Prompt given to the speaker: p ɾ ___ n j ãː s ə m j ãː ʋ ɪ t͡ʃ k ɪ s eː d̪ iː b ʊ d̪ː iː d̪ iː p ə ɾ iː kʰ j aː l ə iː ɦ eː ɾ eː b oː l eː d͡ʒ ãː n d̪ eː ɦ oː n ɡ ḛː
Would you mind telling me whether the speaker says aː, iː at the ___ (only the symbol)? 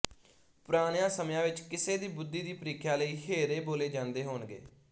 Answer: aː